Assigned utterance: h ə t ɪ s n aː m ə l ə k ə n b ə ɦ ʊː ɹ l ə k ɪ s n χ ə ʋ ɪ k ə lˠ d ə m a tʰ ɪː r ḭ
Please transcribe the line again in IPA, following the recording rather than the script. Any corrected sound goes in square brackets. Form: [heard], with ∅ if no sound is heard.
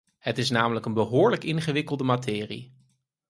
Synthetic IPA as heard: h ə t ɪ s n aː m ə l ə k ə n b ə ɦ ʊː ɹ l ə k ɪ [∅] n χ ə ʋ ɪ k ə lˠ d ə m a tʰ ɪː r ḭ